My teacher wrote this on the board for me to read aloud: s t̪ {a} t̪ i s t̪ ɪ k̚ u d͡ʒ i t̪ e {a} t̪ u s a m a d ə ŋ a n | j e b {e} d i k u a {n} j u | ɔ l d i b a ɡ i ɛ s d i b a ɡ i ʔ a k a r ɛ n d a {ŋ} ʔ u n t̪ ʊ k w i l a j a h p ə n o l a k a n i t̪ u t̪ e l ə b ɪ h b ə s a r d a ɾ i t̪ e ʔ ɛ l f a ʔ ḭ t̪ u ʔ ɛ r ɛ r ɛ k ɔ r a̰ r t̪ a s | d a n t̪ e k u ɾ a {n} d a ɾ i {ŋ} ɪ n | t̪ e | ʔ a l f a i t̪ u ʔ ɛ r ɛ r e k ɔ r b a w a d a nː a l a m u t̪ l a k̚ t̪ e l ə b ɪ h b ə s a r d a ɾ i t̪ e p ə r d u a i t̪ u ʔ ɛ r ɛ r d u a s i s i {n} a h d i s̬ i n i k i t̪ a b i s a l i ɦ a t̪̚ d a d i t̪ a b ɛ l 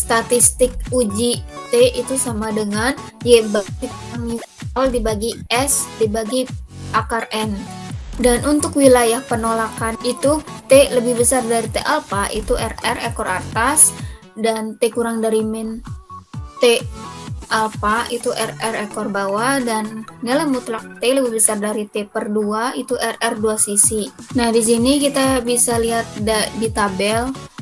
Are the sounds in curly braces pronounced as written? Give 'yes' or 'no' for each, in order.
yes, no, no, no, no, no, no, yes

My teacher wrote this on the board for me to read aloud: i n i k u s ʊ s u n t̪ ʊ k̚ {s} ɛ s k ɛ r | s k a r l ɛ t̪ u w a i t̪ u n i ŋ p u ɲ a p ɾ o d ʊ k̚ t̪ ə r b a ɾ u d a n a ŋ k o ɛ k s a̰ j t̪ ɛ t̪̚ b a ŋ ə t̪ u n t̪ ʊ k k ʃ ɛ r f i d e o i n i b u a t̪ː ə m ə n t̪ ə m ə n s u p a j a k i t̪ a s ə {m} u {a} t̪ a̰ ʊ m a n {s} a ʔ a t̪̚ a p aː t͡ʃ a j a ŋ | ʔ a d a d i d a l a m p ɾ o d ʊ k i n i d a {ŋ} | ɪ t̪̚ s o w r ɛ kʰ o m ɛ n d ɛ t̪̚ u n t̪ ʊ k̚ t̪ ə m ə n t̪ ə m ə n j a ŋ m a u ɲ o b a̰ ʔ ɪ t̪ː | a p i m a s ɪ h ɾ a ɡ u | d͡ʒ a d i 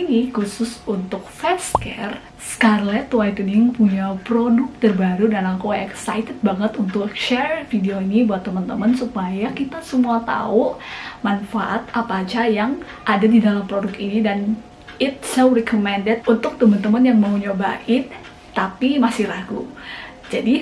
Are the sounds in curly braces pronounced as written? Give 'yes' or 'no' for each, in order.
no, yes, yes, no, no

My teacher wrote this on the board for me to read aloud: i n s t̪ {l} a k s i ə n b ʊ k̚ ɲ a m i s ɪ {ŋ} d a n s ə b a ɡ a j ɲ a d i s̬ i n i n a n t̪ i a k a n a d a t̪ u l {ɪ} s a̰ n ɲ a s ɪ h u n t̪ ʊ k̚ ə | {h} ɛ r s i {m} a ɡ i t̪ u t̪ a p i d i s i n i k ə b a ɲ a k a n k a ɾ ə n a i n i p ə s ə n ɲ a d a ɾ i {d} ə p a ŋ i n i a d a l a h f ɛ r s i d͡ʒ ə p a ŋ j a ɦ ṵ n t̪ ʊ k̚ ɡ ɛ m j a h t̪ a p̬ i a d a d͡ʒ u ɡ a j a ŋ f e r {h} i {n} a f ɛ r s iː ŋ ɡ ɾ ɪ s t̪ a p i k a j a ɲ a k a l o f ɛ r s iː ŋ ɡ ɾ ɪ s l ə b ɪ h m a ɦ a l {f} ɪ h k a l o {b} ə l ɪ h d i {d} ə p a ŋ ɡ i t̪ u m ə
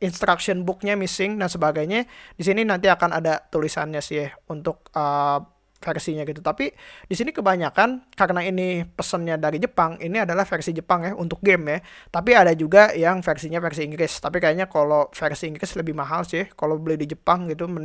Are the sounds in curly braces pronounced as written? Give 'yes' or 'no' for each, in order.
no, yes, no, no, no, no, no, no, no, yes, no

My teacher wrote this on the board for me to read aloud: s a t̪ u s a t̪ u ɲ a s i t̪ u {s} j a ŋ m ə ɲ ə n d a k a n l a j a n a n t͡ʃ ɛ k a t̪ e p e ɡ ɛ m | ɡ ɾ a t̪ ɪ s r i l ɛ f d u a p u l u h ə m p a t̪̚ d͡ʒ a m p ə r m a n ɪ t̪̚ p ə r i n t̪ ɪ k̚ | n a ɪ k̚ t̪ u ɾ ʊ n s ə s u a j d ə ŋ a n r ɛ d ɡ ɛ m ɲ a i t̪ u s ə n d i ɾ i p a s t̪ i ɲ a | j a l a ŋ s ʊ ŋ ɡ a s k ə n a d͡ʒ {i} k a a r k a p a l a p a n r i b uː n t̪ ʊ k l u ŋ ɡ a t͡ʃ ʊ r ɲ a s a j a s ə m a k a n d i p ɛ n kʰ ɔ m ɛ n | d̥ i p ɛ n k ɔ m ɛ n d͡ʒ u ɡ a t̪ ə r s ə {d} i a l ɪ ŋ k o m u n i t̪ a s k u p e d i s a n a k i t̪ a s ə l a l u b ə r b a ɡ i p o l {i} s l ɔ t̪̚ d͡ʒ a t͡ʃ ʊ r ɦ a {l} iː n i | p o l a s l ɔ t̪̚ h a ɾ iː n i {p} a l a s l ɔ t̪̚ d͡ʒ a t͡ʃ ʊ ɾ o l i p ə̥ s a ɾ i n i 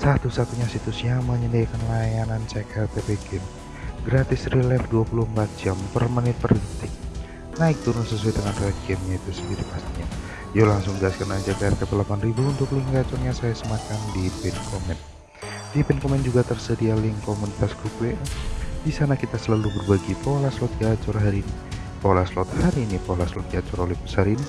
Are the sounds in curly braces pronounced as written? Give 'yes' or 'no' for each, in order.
yes, no, yes, no, no, yes

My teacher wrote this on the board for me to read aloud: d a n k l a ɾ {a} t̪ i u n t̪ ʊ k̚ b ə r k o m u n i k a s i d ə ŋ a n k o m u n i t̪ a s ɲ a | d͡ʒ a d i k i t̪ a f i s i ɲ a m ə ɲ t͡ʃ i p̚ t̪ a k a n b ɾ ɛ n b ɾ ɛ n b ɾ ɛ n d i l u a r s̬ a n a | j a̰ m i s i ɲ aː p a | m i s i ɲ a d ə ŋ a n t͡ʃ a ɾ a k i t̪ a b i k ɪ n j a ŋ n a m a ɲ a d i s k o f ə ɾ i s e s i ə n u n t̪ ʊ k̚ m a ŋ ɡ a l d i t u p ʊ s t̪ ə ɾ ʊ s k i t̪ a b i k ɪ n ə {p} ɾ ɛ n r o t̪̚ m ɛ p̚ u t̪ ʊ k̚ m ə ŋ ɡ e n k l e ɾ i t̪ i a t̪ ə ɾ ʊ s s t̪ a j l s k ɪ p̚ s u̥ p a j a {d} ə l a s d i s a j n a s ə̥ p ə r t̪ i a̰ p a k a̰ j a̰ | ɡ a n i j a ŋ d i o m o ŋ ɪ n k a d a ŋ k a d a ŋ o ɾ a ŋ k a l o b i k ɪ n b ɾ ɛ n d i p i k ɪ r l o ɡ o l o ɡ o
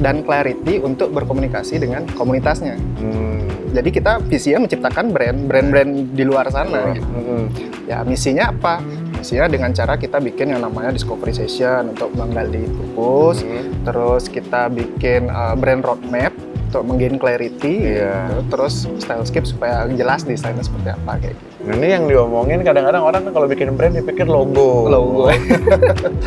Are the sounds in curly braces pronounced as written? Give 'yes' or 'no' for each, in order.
no, no, no

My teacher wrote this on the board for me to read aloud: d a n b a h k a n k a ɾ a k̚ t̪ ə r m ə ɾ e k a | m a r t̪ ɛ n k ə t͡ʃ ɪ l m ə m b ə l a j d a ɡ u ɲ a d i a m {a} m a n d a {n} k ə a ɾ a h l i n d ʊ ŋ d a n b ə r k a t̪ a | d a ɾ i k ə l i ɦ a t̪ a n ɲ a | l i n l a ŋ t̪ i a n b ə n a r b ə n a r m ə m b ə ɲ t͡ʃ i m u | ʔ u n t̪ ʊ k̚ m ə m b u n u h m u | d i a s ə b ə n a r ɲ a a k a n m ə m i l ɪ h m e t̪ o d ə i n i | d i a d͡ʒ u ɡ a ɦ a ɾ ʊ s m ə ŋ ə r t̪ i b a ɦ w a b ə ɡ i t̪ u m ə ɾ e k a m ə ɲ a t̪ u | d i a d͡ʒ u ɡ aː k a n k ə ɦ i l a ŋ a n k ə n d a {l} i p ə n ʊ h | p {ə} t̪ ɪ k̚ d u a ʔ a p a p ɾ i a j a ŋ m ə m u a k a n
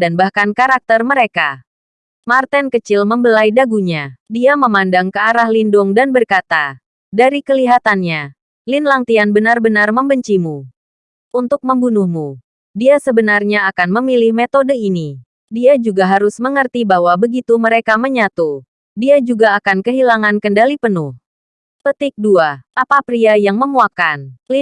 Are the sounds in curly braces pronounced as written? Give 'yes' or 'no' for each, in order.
no, no, yes, yes

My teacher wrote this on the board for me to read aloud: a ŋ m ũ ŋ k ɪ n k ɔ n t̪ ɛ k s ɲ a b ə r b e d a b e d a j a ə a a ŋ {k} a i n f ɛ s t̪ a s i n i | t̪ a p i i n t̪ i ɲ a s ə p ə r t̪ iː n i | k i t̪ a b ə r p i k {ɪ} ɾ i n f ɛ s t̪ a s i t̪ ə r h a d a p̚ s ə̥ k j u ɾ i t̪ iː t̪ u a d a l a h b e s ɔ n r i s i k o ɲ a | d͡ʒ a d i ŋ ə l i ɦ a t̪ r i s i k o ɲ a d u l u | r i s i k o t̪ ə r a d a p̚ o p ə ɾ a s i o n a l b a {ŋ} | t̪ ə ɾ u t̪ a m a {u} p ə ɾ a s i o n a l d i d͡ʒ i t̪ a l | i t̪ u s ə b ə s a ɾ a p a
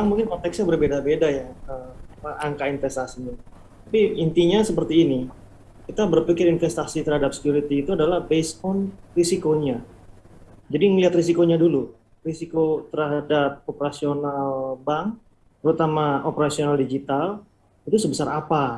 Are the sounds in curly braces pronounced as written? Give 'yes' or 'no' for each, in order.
yes, yes, yes, no

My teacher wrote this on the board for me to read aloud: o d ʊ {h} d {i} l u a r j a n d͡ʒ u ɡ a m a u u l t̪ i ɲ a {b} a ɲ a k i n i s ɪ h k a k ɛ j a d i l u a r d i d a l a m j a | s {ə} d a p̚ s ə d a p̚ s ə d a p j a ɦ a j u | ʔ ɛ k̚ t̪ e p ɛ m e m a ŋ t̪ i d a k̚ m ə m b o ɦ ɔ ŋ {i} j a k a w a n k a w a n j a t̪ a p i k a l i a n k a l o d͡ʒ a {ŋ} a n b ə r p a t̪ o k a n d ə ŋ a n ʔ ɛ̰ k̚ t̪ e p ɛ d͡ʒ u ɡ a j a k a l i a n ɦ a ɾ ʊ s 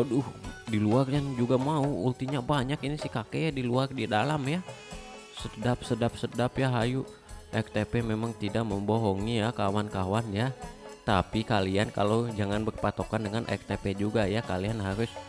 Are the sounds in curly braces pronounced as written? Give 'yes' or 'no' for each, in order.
yes, yes, yes, yes, yes, yes

